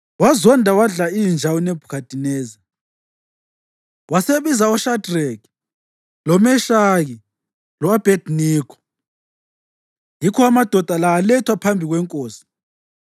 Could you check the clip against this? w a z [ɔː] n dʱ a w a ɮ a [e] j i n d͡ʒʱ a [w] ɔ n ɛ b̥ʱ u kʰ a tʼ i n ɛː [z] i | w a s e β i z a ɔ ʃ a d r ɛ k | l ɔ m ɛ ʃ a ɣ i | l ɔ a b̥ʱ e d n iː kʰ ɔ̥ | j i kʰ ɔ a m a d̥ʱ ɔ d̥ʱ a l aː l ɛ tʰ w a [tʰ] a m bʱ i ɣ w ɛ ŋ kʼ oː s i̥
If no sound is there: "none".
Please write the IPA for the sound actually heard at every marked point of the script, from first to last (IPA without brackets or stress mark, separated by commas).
ɔ, i, w, z, pʰ